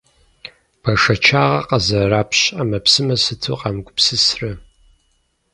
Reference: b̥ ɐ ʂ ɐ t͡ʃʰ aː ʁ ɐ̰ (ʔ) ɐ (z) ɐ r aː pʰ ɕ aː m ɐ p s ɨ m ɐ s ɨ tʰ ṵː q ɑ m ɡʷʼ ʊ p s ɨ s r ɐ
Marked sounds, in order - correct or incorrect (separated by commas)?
incorrect, correct